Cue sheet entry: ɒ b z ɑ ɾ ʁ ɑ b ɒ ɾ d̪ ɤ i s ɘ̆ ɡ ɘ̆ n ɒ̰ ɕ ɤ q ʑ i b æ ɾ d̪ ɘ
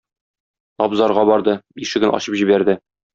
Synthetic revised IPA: ɒ b z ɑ ɾ ʁ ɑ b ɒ ɾ d̪ ɤ i ʃ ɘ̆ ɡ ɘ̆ n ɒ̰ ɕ ɤ p ʑ i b æ ɾ d̪ ɘ

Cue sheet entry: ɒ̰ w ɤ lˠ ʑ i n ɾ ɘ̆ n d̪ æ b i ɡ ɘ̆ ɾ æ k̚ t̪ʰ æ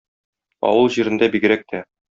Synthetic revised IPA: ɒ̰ w ɤ lˠ ʑ i ɾ ɘ̆ n d̪ æ b i ɡ ɘ̆ ɾ æ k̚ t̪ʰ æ

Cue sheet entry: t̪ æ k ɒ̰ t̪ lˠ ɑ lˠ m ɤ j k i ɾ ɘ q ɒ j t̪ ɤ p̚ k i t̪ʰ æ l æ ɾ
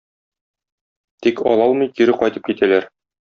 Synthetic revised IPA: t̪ i k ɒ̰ lˠ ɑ lˠ m ɤ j k i ɾ ɘ q ɒ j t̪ ɤ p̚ k i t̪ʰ æ l æ ɾ

